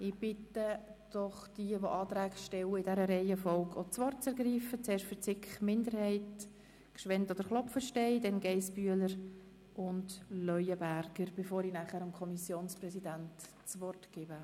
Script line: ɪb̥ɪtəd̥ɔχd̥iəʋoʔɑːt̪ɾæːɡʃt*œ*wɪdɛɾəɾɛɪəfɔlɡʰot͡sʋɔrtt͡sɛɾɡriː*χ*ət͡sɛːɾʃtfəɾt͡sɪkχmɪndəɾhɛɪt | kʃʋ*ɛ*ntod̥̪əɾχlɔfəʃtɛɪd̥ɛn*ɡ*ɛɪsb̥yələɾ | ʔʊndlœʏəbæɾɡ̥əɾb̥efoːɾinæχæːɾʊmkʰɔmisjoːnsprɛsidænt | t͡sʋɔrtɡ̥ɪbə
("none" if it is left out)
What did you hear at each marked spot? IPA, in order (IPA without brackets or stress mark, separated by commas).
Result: ɛ, f, ɛ, ɡ